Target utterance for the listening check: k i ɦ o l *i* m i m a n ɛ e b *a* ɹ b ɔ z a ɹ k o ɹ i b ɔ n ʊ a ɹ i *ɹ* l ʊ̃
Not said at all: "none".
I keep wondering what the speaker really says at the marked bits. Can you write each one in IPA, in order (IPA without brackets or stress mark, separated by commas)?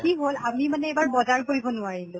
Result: a, a, none